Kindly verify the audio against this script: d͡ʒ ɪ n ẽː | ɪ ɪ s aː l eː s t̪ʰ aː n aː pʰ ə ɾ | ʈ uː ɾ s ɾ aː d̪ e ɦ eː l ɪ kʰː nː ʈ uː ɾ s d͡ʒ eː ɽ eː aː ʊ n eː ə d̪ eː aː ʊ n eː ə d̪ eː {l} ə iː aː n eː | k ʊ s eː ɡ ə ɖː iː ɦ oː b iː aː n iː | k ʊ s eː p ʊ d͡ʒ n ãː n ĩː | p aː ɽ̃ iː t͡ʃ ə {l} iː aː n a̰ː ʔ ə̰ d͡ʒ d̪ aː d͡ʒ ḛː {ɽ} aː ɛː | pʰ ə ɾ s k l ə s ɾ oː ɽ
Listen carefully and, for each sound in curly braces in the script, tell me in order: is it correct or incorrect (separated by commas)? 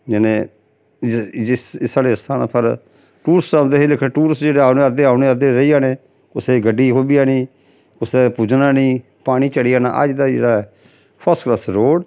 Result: incorrect, incorrect, correct